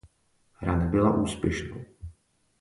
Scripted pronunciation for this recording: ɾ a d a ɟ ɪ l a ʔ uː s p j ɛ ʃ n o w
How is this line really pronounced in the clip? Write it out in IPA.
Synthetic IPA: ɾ a n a b ɪ l a ʔ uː s p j ɛ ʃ n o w